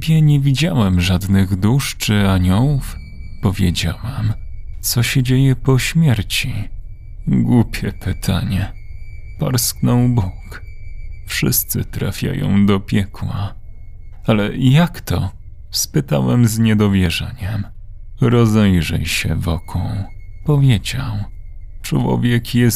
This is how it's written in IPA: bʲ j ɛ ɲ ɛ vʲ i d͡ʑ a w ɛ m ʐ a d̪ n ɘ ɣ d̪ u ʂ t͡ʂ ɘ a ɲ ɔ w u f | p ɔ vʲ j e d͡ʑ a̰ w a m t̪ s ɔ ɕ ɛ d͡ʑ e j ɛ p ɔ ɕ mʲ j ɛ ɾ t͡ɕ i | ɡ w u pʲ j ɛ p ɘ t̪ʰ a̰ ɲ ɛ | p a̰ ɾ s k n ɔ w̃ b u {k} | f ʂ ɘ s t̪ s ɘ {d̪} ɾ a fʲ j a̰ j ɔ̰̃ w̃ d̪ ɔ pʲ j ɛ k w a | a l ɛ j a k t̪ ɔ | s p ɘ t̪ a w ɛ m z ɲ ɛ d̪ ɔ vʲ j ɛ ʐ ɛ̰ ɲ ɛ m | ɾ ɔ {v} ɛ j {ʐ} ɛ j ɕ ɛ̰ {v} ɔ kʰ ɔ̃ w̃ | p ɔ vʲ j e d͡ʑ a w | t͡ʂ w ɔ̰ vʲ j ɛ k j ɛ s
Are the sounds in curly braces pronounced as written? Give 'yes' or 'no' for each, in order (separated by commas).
yes, no, no, yes, yes